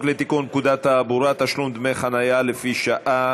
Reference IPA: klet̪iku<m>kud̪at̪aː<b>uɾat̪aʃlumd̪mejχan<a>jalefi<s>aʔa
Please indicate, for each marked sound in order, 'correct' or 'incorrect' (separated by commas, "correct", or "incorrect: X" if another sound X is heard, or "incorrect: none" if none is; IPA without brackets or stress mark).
incorrect: n, correct, correct, incorrect: ʃ